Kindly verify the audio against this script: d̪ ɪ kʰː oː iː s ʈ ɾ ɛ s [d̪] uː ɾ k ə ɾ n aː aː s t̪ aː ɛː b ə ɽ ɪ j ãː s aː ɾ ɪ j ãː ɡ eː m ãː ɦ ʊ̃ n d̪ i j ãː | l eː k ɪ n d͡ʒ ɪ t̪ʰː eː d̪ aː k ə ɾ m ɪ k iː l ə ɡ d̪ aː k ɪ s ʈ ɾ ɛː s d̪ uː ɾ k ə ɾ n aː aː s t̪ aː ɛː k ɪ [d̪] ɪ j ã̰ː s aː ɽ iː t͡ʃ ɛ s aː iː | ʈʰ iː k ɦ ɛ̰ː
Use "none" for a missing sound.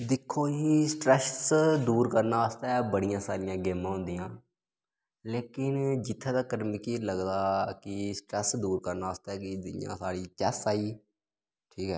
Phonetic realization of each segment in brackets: d̪, d̪

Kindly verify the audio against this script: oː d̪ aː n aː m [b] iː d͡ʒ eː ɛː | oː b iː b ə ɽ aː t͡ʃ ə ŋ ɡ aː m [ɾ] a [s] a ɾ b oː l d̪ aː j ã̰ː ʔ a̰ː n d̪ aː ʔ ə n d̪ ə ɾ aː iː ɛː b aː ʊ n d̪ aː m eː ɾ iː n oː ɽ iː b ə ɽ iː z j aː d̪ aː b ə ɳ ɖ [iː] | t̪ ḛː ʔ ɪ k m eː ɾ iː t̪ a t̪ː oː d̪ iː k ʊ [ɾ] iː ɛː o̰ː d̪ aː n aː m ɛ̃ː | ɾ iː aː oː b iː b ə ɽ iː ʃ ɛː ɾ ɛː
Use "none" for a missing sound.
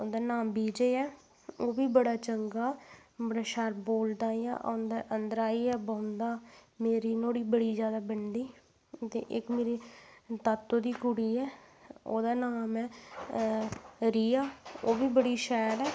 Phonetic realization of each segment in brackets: b, ɾ, ʃ, iː, ɽ

